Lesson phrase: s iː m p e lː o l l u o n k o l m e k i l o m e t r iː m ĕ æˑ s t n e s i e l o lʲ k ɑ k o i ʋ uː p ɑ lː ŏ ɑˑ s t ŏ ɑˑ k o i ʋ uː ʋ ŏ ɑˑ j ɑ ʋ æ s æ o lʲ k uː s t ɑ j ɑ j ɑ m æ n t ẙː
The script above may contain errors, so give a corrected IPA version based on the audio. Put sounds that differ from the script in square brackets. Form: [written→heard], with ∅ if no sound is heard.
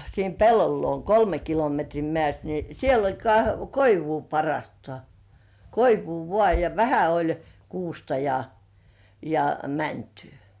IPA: s iː m p e lː o l l u o n k o l m e k i l o m e t r iː m ĕ æˑ s t n [e→i] s i e l o lʲ k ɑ k o i ʋ uː p ɑ [lː→rː] ŏ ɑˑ s t ŏ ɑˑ k o i ʋ uː ʋ ŏ ɑˑ j ɑ ʋ æ [s→h] æ o lʲ k uː s t ɑ j ɑ j ɑ m æ n t ẙː